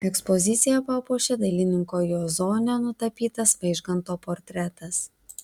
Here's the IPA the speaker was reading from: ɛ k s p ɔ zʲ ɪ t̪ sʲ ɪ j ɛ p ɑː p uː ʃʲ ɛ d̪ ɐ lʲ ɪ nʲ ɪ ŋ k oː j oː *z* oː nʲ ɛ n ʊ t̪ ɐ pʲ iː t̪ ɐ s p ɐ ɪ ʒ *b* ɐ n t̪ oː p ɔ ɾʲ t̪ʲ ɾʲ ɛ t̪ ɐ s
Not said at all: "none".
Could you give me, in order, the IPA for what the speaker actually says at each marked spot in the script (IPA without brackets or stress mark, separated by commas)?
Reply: z, ɡ